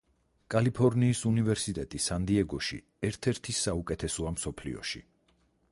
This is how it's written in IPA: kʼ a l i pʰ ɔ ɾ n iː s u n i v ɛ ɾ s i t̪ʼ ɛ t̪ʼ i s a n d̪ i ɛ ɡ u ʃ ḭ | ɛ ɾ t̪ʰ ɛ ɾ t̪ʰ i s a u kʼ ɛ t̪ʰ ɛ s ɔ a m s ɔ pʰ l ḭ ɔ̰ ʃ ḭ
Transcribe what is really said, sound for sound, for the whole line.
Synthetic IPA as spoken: kʼ a l i pʰ ɔ ɾ n iː s u n i v ɛ ɾ s i t̪ʼ ɛ t̪ʼ i s a n d̪ i ɛ ɡ ɔ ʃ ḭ | ɛ ɾ t̪ʰ ɛ ɾ t̪ʰ i s a u kʼ ɛ t̪ʰ ɛ s ɔ a m s ɔ pʰ l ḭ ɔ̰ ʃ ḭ